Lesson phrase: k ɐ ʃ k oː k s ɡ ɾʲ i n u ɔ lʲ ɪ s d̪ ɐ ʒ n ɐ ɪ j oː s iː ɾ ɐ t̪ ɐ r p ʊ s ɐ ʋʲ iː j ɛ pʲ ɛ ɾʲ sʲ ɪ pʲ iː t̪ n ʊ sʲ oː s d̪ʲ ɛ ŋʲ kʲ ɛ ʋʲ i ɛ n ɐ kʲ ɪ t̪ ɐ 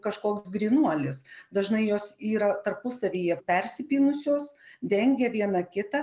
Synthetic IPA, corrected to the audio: k ɐ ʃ k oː k s ɡ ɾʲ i n u ɔ lʲ ɪ s d̪ ɐ ʒ n ɐ ɪ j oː s iː ɾ ɐ t̪ ɐ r p ʊ s ɐ ʋʲ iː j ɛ pʲ ɛ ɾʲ sʲ ɪ pʲ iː n ʊ sʲ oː s d̪ʲ ɛ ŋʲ ɡʲ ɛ ʋʲ i ɛ n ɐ kʲ ɪ t̪ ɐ